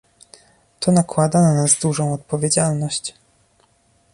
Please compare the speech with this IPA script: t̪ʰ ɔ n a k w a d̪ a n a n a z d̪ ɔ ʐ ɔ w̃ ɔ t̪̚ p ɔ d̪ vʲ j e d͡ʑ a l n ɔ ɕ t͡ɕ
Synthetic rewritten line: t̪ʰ ɔ n a k w a d̪ a n a n a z d̪ u ʐ ɔ̃ w̃ ɔ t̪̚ p ɔ vʲ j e d͡ʑ a l n ɔ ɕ t͡ɕ